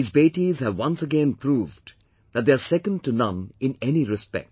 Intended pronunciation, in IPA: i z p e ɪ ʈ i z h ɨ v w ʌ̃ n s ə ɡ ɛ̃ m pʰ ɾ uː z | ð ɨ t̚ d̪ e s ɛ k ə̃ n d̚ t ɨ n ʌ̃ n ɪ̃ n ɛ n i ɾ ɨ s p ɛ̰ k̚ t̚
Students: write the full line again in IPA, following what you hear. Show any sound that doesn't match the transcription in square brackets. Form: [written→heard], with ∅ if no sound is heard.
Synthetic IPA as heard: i z [p→b] e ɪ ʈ i z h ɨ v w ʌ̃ n s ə ɡ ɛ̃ [m→n] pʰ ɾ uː [z→v] | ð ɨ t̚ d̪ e s ɛ k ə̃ n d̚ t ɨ n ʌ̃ n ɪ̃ n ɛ n i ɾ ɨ s p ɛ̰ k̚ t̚

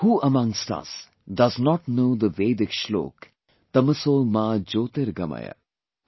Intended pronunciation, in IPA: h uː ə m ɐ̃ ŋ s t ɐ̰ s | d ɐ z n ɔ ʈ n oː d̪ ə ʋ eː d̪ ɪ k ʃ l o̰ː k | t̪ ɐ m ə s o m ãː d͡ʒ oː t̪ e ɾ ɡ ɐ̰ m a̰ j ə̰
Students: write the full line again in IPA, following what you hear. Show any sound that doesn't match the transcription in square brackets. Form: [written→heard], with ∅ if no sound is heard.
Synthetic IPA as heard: h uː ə m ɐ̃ ŋ s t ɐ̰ s | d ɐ z n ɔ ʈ n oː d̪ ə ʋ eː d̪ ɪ k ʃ l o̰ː k | t̪ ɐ m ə s o m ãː d͡ʒ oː t̪ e ɾ ɡ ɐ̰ m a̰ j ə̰

